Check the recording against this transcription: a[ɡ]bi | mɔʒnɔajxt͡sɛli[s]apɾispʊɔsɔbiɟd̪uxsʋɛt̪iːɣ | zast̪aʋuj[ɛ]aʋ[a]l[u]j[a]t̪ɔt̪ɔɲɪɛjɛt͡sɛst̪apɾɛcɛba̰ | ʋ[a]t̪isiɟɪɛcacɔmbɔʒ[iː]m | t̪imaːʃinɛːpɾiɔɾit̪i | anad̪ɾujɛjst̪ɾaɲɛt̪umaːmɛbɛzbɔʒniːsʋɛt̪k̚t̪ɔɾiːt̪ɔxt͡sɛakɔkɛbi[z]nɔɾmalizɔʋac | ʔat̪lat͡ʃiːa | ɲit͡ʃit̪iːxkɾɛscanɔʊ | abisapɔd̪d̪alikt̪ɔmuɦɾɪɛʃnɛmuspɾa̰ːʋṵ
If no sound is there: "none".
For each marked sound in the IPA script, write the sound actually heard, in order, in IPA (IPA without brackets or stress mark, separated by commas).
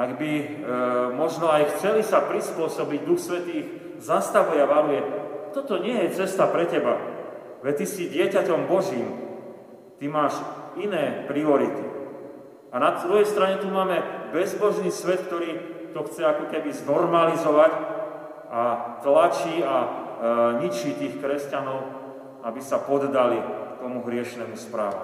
ɡ, s, ɛ, a, u, ɛ, ɛ, iː, z